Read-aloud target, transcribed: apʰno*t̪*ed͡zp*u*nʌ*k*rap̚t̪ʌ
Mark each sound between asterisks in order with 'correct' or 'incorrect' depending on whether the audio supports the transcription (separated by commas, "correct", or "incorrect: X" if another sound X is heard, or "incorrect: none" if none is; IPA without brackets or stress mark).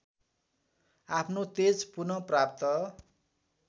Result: correct, correct, incorrect: p